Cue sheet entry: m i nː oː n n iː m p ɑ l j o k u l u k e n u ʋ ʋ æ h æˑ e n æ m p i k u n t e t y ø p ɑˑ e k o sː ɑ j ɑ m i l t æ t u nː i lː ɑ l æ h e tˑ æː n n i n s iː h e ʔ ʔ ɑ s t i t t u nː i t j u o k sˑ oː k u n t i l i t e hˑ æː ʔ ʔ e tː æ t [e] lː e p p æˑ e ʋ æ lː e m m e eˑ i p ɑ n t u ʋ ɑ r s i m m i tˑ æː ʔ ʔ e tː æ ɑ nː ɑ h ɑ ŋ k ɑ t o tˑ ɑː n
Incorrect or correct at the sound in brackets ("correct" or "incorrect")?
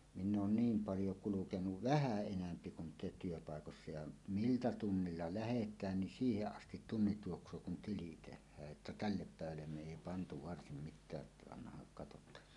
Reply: incorrect